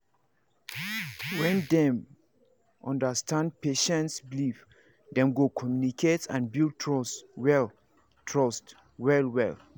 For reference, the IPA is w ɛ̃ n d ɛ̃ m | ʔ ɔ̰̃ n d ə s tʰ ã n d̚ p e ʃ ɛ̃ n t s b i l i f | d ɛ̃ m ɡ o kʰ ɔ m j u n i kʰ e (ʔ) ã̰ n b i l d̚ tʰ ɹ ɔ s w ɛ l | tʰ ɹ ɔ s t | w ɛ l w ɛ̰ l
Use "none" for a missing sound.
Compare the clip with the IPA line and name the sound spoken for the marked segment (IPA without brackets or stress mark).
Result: t